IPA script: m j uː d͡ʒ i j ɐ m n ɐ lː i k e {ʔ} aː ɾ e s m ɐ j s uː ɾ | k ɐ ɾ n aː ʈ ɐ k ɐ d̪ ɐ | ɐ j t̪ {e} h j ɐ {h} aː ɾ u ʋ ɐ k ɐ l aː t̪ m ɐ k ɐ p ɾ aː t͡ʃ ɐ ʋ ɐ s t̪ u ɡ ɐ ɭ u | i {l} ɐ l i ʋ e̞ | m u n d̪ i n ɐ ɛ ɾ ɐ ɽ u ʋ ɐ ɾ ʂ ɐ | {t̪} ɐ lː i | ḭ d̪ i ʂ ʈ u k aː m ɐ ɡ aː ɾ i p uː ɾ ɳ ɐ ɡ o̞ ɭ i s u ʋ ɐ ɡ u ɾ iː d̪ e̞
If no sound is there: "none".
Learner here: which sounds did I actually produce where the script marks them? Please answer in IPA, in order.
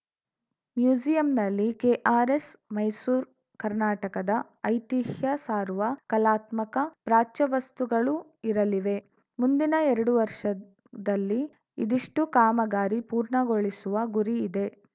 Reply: ʔ, i, s, ɾ, d̪

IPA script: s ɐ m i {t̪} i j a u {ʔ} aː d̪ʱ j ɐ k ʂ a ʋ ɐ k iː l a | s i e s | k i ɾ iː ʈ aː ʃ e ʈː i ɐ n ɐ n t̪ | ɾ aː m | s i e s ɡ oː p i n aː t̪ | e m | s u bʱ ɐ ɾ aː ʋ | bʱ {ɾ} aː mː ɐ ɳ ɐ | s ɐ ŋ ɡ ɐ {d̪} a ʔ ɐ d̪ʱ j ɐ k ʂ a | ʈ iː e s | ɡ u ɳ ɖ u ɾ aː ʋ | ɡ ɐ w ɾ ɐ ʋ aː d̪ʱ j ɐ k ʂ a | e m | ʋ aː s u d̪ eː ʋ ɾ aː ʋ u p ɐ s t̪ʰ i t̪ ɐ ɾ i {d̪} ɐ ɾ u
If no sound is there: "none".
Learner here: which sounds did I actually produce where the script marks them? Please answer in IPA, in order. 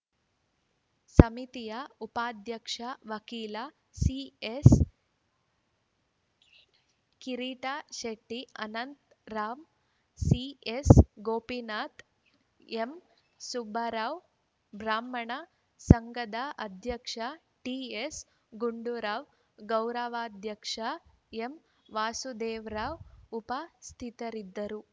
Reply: t̪, p, ɾ, d̪, d̪ː

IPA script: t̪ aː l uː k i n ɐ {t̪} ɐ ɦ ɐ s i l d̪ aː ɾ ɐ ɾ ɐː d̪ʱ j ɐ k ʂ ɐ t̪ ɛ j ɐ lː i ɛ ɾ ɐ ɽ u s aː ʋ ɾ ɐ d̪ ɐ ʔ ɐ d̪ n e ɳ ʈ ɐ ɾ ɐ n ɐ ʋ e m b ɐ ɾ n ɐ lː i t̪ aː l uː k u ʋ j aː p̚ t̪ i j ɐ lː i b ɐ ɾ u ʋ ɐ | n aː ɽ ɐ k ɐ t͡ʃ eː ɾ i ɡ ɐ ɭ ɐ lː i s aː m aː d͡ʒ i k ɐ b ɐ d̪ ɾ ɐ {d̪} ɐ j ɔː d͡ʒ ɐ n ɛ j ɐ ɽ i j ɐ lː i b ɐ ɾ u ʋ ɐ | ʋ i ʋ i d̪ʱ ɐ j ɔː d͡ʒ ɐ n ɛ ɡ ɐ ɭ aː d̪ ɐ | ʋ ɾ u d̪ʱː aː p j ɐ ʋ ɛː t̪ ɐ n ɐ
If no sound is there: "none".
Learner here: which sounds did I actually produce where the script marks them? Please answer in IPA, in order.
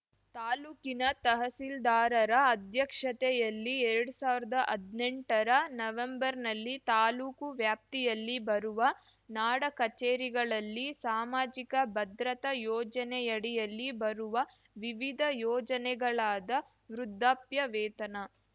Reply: t̪, t̪

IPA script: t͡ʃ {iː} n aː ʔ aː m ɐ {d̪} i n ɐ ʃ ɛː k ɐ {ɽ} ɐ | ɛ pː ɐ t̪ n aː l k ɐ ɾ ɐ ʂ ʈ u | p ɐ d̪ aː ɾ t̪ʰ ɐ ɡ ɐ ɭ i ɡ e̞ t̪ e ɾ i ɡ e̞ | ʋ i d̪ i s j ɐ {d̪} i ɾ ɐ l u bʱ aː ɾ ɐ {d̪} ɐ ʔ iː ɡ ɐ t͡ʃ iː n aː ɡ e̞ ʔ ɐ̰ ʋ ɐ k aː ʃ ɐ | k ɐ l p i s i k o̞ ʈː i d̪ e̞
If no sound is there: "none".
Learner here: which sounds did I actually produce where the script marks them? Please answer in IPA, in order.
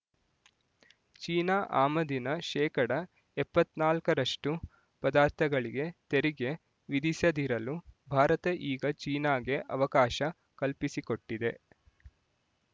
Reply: iː, d̪, ɽ, d̪, t̪

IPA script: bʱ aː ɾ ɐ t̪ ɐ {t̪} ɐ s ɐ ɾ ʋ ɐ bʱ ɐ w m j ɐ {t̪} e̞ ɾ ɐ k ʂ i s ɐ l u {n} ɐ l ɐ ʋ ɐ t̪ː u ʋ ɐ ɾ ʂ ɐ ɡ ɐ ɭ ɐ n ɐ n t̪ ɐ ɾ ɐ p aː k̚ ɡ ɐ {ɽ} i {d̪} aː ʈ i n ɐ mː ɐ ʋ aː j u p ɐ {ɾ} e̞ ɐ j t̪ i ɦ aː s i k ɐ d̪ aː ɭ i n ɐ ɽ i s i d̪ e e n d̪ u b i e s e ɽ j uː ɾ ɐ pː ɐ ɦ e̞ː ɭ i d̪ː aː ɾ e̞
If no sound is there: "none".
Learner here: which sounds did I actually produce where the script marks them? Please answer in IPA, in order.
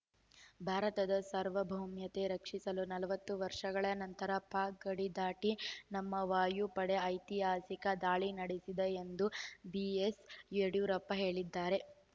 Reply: d̪, t̪, n, ɽ, d̪, ɽ

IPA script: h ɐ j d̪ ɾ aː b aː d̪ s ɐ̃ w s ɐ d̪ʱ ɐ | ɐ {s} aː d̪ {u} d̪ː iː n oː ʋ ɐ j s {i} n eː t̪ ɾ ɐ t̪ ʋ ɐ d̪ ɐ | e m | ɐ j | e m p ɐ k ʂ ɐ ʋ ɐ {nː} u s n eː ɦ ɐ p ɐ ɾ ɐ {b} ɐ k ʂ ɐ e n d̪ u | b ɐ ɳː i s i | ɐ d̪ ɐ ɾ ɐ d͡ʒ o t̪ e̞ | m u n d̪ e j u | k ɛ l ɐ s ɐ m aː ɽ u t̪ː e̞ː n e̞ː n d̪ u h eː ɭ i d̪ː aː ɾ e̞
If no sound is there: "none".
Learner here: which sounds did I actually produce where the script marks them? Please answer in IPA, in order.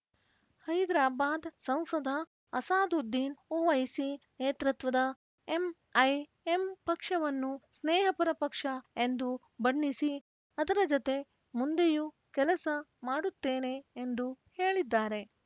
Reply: s, u, i, nː, p

